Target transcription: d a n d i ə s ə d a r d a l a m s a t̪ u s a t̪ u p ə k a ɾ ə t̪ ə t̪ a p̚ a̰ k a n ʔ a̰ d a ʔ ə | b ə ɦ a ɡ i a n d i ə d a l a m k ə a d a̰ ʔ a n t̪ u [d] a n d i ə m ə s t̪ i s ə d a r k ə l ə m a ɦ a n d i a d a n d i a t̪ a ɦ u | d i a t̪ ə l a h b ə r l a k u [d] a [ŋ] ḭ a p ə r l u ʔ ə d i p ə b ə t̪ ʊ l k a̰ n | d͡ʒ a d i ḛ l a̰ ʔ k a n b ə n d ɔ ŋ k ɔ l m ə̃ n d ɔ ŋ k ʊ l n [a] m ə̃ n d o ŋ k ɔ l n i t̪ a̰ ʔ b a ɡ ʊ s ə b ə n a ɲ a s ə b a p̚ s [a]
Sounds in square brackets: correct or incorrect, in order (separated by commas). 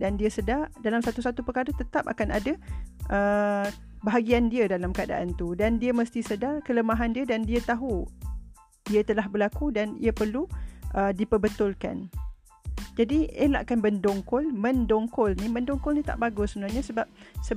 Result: correct, correct, incorrect, incorrect, incorrect